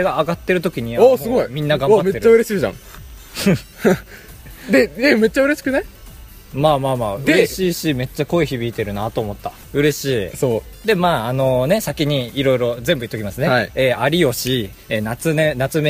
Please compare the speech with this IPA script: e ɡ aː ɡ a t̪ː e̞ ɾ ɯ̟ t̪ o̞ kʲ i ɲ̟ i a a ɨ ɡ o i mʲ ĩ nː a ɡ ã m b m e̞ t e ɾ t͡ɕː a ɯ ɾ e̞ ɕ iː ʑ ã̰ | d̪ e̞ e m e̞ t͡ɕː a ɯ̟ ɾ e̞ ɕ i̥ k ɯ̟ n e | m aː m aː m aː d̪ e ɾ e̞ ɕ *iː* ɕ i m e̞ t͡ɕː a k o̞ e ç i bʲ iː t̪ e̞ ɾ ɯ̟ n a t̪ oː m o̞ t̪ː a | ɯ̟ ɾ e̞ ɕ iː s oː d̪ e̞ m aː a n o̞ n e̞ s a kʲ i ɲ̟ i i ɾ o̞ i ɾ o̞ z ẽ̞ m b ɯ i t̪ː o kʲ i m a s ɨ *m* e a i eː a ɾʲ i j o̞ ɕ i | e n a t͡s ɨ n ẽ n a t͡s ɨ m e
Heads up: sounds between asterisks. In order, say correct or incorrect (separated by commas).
correct, incorrect